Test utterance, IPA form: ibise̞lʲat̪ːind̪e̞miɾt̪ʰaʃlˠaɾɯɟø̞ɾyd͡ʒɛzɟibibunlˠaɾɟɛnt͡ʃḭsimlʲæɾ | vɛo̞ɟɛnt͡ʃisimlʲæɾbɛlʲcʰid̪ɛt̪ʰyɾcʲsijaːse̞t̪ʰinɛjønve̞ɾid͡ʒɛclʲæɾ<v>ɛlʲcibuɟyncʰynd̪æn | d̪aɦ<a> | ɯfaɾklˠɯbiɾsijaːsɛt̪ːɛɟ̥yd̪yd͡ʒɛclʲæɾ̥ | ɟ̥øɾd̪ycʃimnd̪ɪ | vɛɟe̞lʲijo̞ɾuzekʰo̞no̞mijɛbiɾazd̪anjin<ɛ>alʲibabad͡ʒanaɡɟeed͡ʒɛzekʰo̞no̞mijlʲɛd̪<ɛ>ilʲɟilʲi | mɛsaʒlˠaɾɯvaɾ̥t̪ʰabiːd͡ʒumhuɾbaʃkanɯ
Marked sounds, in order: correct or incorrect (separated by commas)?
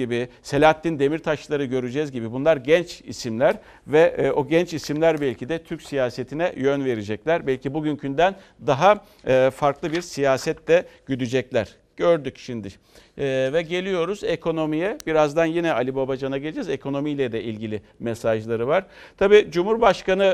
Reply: incorrect, correct, correct, correct